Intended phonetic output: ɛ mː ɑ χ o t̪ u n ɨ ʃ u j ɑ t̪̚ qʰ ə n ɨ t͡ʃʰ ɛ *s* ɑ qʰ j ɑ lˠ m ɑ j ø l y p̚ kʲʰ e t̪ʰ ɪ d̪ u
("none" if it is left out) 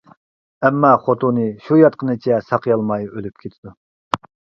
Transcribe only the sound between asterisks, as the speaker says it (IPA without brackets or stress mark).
s